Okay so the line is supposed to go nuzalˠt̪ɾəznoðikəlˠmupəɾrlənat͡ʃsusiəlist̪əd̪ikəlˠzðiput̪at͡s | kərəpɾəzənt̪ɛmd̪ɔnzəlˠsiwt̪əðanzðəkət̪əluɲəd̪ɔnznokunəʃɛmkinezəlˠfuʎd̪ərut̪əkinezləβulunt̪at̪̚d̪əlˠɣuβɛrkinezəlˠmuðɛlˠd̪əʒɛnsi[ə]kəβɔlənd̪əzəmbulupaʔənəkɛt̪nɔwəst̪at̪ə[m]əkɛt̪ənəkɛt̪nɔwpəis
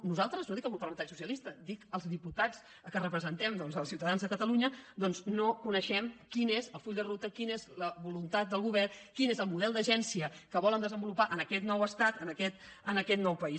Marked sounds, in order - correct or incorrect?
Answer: correct, incorrect: n

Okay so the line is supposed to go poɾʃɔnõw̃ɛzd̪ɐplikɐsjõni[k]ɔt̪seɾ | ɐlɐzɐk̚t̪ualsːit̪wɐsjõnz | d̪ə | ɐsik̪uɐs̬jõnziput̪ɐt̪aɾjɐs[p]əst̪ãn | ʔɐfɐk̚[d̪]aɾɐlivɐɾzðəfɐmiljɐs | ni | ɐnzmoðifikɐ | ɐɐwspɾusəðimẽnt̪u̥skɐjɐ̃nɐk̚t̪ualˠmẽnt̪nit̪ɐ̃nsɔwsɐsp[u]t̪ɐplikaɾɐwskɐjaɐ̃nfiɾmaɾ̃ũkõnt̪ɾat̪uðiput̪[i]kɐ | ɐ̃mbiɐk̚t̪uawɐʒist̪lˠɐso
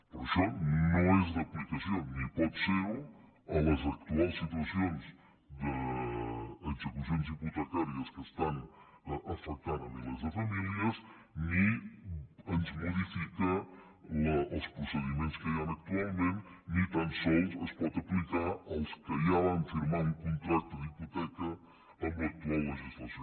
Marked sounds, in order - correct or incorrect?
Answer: incorrect: p, incorrect: k, incorrect: t̪, incorrect: ɔ, incorrect: ɛ

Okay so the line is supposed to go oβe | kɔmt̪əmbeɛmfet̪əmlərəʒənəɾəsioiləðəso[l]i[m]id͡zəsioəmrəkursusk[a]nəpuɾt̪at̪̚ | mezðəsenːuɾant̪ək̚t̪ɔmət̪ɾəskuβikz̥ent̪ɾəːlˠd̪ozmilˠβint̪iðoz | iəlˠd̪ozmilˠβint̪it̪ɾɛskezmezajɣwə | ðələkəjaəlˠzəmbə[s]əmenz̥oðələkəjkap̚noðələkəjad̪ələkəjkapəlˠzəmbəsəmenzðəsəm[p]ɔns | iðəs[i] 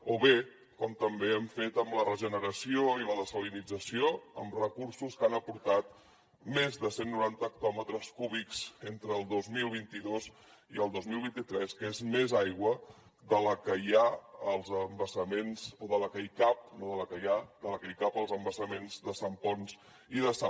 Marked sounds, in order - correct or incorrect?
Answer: correct, incorrect: n, correct, correct, correct, incorrect: a

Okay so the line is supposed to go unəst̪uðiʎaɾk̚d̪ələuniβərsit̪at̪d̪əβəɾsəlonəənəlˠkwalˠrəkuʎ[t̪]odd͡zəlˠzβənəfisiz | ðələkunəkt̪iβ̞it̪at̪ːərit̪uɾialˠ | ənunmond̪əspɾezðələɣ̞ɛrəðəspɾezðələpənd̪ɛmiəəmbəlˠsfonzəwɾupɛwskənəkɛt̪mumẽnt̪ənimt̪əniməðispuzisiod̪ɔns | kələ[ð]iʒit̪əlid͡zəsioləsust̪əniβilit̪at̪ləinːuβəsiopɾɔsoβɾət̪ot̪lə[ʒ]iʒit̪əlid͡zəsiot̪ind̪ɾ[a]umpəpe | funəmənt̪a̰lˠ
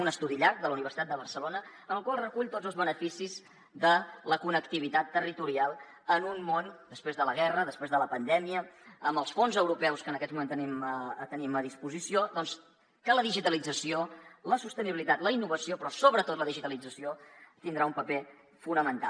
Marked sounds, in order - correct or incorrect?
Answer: correct, correct, incorrect: ð, correct

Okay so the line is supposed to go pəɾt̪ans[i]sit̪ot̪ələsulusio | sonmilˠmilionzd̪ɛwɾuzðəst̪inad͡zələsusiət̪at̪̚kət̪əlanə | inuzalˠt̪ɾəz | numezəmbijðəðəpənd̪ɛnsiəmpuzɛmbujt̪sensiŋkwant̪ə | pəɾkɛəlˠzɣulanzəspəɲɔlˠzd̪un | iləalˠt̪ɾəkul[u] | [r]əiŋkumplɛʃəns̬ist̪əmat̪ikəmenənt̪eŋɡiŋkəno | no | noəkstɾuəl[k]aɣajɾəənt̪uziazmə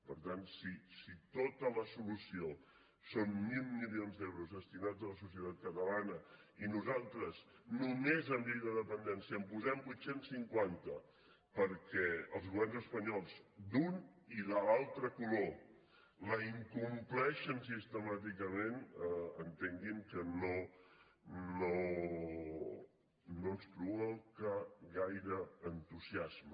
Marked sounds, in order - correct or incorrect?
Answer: correct, incorrect: o, incorrect: l, correct

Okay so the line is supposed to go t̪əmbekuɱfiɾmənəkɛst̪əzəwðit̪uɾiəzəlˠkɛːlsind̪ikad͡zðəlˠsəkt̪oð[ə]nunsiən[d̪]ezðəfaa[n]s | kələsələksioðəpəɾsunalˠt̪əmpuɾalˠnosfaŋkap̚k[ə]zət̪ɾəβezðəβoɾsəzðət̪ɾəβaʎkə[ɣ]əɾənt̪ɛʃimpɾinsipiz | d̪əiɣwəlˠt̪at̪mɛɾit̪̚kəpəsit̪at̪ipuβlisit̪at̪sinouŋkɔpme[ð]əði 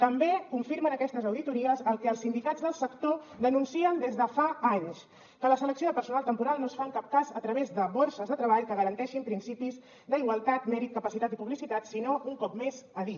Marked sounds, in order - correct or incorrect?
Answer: correct, correct, incorrect: ɲ, incorrect: a, correct, incorrect: z

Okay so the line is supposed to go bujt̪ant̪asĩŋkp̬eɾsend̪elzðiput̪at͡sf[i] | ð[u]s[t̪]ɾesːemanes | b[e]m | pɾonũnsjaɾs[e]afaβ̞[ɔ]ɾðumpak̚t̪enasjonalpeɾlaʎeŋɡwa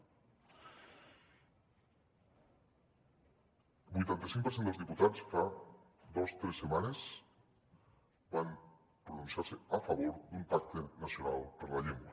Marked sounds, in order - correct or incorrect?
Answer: incorrect: a, incorrect: o, correct, incorrect: a, correct, incorrect: o

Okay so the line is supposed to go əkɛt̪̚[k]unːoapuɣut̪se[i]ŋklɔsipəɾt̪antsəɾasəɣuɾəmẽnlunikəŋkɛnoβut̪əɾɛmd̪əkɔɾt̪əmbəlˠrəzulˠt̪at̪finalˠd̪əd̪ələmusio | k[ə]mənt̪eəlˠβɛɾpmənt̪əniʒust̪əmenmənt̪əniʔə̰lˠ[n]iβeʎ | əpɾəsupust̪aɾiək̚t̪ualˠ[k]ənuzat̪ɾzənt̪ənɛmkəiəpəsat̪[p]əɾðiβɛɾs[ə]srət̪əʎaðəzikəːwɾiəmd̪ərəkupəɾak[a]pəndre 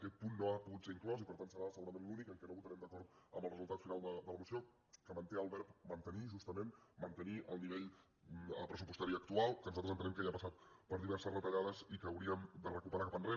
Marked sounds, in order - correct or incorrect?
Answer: incorrect: p, correct, correct, correct, correct, correct, correct, correct

